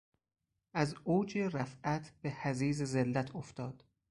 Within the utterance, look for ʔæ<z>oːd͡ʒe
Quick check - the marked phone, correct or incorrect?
correct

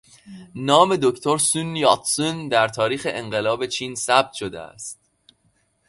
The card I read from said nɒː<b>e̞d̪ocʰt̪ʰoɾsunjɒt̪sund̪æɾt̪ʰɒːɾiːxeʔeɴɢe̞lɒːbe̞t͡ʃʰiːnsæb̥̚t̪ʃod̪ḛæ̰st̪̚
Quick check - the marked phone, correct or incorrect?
incorrect: m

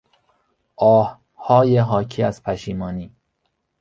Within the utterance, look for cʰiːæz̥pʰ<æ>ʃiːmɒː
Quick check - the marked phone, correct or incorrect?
correct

